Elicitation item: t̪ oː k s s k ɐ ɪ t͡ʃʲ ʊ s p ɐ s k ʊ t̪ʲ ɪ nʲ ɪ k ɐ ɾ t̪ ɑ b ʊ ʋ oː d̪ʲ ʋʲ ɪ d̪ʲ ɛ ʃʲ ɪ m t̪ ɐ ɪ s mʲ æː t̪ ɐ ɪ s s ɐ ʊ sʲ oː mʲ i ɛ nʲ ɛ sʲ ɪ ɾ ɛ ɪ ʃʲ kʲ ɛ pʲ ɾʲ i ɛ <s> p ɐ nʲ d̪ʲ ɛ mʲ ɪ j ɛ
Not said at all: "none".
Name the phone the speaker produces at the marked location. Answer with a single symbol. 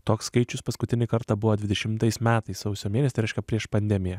ʃ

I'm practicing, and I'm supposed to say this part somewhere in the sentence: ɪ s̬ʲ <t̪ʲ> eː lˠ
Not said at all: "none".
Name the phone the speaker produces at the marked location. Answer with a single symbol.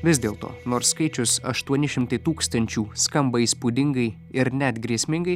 d̪ʲ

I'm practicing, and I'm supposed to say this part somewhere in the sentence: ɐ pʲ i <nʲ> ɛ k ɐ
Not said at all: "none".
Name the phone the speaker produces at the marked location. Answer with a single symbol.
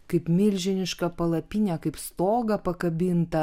nʲ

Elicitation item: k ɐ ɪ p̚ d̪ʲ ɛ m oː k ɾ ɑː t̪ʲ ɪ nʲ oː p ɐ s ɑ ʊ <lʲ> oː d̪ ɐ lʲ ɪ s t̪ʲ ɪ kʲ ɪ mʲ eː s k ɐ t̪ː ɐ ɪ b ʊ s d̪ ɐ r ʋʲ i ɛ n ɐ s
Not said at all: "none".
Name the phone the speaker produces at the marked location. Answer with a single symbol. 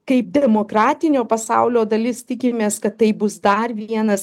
lʲ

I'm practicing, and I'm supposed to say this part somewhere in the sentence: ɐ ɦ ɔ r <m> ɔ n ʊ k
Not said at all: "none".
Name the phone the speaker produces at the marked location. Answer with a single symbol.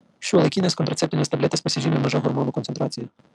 m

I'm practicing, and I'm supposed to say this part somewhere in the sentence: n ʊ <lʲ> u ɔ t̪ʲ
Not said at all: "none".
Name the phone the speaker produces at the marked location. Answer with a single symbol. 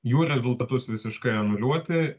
lʲ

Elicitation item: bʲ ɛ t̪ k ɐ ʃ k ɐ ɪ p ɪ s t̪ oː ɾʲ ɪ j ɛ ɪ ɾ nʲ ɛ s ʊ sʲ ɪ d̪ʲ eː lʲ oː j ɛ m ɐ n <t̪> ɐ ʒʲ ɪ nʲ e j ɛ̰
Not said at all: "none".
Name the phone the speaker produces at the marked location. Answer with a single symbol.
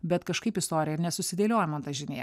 t̪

